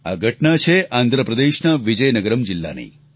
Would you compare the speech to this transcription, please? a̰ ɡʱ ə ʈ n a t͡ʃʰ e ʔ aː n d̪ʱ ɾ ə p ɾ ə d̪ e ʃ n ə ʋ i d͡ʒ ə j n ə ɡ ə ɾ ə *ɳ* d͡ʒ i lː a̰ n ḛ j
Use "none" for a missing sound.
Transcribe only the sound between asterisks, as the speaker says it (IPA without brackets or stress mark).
m